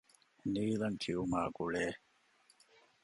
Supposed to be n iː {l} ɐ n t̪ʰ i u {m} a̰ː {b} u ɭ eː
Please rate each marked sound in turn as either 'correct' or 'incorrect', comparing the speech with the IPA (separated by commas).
correct, correct, incorrect